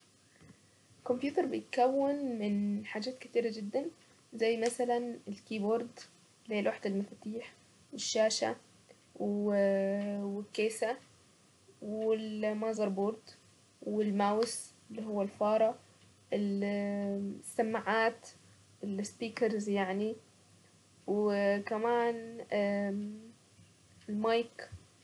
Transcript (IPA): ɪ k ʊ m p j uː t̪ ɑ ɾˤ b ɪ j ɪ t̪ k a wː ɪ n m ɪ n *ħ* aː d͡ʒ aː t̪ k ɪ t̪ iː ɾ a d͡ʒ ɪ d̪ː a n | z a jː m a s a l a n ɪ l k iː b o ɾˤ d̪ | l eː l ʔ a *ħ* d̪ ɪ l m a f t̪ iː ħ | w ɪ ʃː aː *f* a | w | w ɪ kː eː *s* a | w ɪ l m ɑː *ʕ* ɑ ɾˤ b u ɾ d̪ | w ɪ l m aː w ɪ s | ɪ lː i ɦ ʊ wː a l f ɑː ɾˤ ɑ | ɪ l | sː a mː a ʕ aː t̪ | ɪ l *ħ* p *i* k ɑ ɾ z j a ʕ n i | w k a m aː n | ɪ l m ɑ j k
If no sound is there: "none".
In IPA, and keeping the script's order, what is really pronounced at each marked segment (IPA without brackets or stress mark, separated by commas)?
ħ, ħ, ʃ, s, z, s, iː